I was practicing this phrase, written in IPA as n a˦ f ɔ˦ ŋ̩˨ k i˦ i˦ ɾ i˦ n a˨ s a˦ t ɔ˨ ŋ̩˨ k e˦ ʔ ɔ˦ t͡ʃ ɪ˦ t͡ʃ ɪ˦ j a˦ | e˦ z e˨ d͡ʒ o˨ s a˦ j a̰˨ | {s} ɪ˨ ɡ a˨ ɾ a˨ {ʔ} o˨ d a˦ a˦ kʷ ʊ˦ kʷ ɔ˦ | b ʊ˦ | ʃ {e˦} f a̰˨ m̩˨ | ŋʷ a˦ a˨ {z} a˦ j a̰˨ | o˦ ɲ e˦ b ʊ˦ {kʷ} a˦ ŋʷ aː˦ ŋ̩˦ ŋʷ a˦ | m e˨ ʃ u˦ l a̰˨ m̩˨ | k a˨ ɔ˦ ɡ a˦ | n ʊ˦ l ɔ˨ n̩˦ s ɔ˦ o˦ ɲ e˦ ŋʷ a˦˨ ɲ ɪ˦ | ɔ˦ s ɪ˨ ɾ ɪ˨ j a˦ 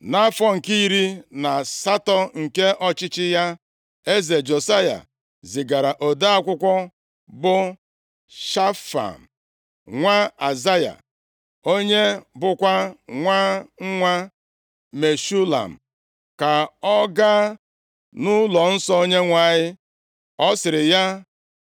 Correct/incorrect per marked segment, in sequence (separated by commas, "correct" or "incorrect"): incorrect, correct, incorrect, correct, correct